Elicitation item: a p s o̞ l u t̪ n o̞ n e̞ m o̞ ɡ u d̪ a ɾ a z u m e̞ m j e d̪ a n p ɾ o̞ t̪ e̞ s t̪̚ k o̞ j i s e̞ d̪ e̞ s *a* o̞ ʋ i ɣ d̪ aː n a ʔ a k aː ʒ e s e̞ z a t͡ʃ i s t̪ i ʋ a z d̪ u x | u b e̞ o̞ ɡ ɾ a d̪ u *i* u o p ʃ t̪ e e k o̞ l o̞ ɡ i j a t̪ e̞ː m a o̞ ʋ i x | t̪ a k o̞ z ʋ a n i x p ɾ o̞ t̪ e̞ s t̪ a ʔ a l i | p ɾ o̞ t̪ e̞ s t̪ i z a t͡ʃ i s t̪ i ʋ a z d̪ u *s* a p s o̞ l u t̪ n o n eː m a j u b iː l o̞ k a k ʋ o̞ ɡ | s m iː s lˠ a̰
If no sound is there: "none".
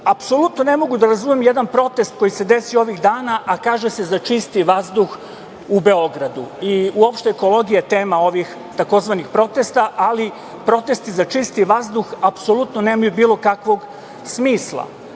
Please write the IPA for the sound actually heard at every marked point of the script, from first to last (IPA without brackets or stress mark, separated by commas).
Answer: i, i, x